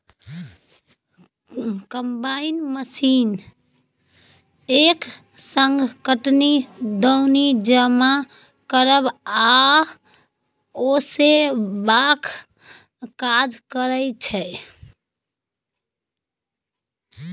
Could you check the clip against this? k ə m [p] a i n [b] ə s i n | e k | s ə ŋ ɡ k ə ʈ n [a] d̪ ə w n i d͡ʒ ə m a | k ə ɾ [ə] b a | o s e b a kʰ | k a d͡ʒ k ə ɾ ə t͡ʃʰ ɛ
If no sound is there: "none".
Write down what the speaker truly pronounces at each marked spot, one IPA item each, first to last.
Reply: b, m, i, ə

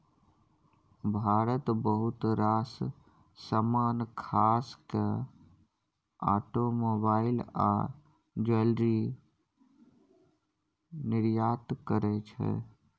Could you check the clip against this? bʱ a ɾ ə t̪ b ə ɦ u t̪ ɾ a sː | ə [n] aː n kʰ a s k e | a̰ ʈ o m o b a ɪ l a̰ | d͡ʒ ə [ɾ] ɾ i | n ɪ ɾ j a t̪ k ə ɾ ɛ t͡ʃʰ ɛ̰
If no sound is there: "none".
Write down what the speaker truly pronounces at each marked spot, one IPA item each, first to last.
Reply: m, l

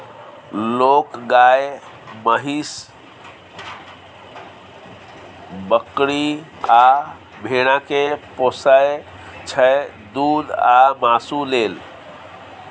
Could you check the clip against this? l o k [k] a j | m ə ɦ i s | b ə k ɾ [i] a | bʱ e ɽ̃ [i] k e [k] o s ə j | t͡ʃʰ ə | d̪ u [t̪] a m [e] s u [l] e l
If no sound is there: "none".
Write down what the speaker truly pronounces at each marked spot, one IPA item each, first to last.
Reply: ɡ, i, a, p, d̪, a, l

